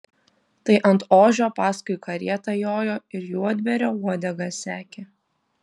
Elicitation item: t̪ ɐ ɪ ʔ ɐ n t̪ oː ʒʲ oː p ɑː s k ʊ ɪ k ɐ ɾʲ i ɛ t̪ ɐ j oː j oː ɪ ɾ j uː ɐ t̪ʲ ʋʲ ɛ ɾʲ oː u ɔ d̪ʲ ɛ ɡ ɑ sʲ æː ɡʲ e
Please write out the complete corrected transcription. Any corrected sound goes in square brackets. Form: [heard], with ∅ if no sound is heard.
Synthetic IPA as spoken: t̪ ɐ ɪ ʔ ɐ n t̪ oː ʒʲ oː p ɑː s k ʊ ɪ k ɐ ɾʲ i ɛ t̪ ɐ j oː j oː ɪ ɾ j uː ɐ [d̪ʲ] ʋʲ ɛ ɾʲ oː u ɔ d̪ʲ ɛ ɡ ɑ sʲ æː [kʲ] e